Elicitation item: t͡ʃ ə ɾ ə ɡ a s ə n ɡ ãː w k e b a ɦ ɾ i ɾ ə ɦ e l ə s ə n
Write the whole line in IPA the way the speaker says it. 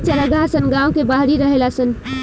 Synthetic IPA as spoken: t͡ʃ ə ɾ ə ɡ a s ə n ɡ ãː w k e b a ɦ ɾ i ɾ ə ɦ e l a s ə n